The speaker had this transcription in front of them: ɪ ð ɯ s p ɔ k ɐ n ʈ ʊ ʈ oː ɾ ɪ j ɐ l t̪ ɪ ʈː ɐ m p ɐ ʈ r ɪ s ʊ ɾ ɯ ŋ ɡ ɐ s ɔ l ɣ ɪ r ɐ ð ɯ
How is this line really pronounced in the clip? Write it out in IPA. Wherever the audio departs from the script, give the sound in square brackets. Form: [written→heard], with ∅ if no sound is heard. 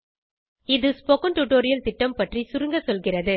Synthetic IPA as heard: ɪ ð ɯ s p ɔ k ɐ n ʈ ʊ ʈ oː ɾ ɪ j ɐ l t̪ ɪ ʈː ɐ m p ɐ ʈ r [ɪ→i] s ʊ ɾ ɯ ŋ ɡ ɐ s ɔ l ɣ ɪ r ɐ ð ɯ

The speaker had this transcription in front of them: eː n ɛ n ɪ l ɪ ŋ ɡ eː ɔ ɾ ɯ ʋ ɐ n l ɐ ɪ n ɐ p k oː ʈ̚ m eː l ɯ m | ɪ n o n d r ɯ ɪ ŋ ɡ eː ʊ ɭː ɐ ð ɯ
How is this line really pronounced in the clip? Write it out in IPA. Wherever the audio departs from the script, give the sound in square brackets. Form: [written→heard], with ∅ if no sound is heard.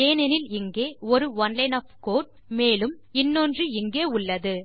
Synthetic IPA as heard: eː n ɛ n ɪ l ɪ ŋ ɡ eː ɔ ɾ ɯ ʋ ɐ n l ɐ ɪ n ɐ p k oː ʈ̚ m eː l ɯ m | ɪ [n→nː] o n d r ɯ ɪ ŋ ɡ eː ʊ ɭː ɐ ð ɯ

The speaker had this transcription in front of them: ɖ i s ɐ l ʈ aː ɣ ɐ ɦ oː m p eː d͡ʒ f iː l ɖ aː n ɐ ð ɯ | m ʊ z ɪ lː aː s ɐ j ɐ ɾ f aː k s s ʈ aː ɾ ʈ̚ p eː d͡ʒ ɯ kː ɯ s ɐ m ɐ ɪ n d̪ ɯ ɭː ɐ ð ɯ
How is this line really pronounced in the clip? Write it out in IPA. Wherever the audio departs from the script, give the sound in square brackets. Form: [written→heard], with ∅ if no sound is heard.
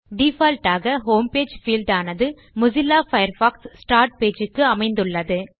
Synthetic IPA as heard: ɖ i [s→f] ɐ l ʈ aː ɣ ɐ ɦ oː m p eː d͡ʒ f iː l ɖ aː n ɐ ð ɯ | m ʊ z ɪ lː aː [s→f] ɐ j ɐ ɾ f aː k s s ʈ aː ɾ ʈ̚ p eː d͡ʒ ɯ kː ɯ [s→∅] ɐ m ɐ ɪ n d̪ ɯ ɭː ɐ ð ɯ

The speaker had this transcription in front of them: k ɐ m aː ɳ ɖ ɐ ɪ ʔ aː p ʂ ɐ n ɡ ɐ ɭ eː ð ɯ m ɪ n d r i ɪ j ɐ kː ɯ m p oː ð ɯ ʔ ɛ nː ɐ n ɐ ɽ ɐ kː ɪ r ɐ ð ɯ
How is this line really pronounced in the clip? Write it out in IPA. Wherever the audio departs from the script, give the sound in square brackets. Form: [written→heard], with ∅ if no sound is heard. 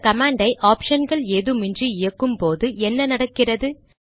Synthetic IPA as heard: k ɐ m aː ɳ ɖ ɐ ɪ ʔ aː p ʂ ɐ n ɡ ɐ ɭ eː ð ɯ m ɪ n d r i ɪ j ɐ kː ɯ m p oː ð ɯ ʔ ɛ nː ɐ n ɐ ɽ ɐ kː ɪ r ɐ ð ɯ

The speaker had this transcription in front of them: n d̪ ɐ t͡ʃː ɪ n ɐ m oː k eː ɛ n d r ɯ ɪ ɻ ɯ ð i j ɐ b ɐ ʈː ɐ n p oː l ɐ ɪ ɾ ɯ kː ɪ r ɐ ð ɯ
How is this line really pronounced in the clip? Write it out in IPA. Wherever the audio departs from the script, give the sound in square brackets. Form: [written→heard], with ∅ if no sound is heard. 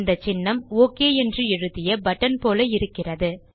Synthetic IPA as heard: n d̪ ɐ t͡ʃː ɪ [n→nː] ɐ m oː k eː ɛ n d r ɯ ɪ ɻ ɯ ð [i→ɪ] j ɐ b ɐ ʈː ɐ n p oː l ɐ ɪ ɾ ɯ kː ɪ r ɐ ð ɯ

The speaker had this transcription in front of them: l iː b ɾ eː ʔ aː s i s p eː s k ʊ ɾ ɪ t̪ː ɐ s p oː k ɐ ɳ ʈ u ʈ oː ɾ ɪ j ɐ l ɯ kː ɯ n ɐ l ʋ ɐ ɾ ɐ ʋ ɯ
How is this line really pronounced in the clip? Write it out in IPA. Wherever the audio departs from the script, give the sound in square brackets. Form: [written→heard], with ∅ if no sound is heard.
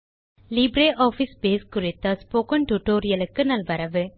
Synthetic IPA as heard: l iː b ɾ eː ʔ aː [s→f] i s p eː s k ʊ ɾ ɪ t̪ː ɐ s p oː k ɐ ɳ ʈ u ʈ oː ɾ ɪ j ɐ l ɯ kː ɯ n ɐ l ʋ ɐ ɾ ɐ ʋ ɯ

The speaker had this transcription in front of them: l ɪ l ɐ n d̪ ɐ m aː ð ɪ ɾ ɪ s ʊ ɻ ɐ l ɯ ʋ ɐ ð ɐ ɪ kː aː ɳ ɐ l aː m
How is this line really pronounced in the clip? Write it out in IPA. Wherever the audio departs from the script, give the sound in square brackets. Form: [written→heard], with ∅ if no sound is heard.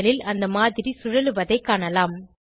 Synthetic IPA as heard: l ɪ l ɐ n d̪ ɐ m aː ð ɪ ɾ [ɪ→i] s ʊ ɻ ɐ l ɯ ʋ ɐ ð ɐ ɪ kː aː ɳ ɐ l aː m

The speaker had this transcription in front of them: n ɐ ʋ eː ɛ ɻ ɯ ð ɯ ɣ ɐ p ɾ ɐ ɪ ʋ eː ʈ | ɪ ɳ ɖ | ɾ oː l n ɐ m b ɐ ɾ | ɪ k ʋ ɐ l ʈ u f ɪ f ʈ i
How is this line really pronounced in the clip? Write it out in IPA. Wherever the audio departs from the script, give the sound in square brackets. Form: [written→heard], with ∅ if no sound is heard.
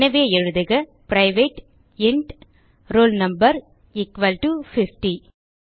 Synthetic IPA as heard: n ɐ ʋ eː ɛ ɻ ɯ ð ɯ ɣ ɐ p ɾ ɐ ɪ ʋ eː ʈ | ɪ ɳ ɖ | ɾ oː l n ɐ m b ɐ ɾ | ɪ k ʋ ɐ l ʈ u f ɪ f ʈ i

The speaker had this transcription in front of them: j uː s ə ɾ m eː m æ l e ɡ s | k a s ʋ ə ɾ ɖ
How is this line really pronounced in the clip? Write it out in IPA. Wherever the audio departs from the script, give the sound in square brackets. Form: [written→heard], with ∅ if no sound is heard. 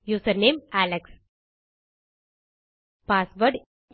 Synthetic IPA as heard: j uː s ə ɾ [m→n] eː m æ l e [ɡ→k] s | [k→p] a s ʋ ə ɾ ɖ

